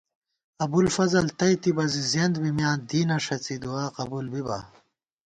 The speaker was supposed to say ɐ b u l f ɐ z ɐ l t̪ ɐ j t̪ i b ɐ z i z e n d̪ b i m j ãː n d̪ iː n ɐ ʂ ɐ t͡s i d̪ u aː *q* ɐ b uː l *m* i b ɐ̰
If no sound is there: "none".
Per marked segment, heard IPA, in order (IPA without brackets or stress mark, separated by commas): q, b